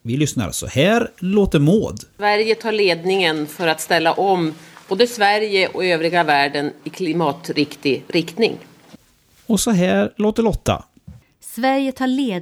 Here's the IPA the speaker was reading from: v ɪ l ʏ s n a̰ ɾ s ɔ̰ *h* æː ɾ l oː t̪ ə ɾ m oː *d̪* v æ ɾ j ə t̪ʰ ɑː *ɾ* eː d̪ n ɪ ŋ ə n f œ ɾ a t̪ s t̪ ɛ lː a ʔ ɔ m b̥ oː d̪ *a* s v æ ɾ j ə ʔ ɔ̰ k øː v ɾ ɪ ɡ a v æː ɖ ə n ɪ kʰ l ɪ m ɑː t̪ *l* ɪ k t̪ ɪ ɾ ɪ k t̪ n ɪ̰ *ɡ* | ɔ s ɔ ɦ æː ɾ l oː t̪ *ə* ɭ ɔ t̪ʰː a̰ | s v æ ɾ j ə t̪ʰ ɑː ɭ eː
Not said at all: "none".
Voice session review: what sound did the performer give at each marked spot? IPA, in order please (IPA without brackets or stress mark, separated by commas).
h, d̪, ɭ, ə, ɾ, ŋ, ə